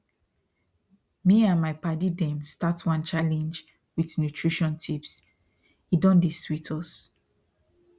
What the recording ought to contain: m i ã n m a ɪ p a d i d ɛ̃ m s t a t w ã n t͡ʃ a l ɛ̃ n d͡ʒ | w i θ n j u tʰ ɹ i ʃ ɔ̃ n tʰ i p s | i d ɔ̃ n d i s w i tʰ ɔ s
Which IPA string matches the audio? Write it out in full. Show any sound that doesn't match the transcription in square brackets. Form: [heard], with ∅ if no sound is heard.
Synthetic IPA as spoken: m i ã n m a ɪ p a d i d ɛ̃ m s t a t w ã n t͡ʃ a l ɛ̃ n d͡ʒ | w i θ n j u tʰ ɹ i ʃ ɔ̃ n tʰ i p s | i d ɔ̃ n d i s w i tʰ ɔ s

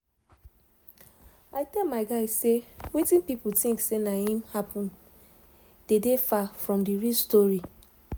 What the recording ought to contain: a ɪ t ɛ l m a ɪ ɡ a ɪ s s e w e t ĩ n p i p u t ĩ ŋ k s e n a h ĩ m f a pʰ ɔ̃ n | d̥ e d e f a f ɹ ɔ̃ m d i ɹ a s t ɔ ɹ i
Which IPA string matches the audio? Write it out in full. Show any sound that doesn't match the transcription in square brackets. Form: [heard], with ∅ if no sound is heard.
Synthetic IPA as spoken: a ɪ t ɛ l m a ɪ ɡ a ɪ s s e w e t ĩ n p i p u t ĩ ŋ k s e n a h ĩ m [h] a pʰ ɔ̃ n | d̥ e d e f a f ɹ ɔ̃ m d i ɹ [i] s t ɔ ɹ i

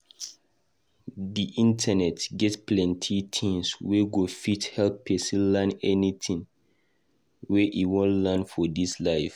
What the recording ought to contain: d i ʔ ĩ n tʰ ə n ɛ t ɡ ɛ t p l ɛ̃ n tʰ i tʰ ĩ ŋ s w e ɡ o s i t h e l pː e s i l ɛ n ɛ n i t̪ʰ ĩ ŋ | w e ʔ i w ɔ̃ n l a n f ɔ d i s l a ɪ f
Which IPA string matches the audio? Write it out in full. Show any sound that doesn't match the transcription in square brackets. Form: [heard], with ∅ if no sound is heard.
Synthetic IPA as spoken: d i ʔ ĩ n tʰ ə n ɛ t ɡ ɛ t p l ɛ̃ n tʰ i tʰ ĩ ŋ s w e ɡ o [f] i t h [ɛ] l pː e s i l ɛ n ɛ n i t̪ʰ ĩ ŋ | w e ʔ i w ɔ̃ n l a n f ɔ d i s l a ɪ f

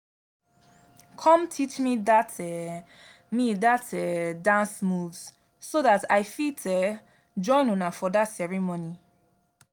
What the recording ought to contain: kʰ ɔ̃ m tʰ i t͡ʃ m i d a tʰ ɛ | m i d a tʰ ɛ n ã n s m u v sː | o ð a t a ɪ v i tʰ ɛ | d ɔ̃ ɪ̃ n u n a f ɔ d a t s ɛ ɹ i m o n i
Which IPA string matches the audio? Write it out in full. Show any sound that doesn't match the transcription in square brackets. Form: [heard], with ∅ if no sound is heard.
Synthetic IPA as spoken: kʰ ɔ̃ m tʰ i t͡ʃ m i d a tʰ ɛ | m i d a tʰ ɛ [d] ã n s m u v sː | o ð a t a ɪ [f] i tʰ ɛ | [d͡ʒ] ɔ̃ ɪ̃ n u n a f ɔ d a t s ɛ ɹ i m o n i

